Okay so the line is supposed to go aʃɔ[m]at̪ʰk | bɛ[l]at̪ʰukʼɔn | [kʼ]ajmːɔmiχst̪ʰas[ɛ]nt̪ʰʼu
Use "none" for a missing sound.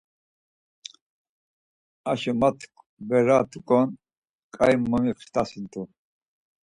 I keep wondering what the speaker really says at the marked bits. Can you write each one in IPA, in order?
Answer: m, ɾ, kʼ, i

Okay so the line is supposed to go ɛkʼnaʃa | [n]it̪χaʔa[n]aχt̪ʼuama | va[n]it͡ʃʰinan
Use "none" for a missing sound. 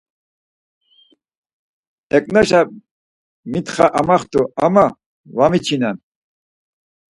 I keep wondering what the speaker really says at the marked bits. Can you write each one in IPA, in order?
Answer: m, m, m

